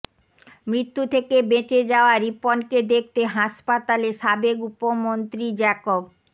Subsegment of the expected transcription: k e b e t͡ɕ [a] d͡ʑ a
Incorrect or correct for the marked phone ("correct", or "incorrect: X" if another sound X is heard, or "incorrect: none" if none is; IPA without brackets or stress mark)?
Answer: incorrect: e